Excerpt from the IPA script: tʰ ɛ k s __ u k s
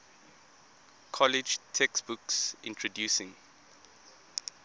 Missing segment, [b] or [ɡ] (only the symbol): b